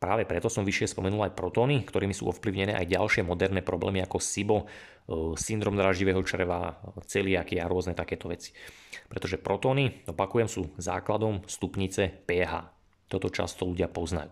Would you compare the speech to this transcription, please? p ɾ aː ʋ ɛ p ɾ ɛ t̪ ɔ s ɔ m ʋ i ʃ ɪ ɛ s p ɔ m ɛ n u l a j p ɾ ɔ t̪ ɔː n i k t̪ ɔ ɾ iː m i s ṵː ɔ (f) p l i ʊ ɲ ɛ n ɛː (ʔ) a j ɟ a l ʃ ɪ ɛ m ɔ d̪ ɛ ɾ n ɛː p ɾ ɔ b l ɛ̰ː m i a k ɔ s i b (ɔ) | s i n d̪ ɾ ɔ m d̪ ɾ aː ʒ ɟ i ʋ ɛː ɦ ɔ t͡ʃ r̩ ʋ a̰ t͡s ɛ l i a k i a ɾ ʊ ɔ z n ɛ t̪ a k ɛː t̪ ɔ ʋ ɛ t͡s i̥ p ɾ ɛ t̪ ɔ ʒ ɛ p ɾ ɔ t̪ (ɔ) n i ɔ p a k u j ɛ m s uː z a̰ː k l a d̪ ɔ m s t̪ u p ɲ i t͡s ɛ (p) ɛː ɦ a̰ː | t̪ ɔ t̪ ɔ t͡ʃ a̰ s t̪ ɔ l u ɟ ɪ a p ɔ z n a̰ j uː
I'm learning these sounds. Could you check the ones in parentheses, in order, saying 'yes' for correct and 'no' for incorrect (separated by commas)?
yes, yes, yes, no, yes